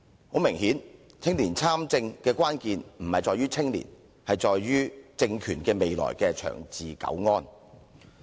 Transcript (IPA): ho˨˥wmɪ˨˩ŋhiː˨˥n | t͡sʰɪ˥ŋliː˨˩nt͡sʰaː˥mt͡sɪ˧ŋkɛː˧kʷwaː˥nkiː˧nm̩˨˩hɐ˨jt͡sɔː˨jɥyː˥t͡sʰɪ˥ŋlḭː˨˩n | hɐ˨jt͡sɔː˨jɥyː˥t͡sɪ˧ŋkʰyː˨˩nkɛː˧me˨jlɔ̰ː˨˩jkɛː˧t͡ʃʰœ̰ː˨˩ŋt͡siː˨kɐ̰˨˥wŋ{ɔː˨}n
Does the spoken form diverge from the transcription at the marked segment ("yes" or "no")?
yes